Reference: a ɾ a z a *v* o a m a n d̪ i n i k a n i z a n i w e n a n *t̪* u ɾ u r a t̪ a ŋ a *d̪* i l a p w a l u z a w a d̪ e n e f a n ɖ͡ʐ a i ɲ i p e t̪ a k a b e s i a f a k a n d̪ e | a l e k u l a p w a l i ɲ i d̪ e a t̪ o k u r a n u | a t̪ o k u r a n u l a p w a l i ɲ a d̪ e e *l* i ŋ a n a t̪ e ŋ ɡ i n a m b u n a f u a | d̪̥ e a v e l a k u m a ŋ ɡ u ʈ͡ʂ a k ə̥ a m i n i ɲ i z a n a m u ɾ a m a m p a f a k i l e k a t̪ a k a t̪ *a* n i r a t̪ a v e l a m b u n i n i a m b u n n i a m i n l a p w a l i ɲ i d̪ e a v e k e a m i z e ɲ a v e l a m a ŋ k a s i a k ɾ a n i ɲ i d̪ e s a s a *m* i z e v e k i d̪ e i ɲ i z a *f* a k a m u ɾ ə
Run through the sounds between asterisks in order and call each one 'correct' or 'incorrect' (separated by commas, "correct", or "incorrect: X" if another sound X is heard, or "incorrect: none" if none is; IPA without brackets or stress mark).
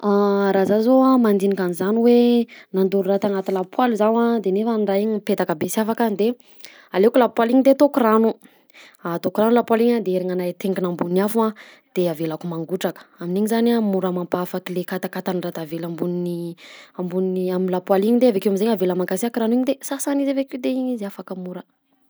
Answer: incorrect: z, incorrect: d̪, incorrect: t̪, incorrect: ɾ, correct, incorrect: n, correct